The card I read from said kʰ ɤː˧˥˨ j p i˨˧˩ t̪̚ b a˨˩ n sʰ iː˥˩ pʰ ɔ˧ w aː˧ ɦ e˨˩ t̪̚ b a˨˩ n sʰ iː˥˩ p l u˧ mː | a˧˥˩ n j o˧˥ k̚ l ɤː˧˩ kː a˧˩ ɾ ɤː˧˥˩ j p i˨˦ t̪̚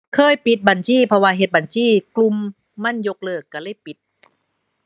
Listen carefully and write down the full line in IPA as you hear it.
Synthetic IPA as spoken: kʰ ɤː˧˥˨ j p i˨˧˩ t̪̚ b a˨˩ n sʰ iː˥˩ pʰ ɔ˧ w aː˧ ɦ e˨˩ t̪̚ b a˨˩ n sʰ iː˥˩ k l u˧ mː | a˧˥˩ n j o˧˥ k̚ l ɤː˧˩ kː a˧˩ l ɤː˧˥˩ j p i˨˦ t̪̚